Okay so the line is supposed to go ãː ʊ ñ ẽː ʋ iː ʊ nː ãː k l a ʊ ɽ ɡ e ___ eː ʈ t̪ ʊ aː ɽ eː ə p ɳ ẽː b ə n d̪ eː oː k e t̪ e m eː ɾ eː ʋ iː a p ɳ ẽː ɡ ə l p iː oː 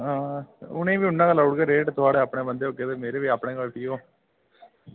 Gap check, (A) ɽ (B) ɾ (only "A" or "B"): B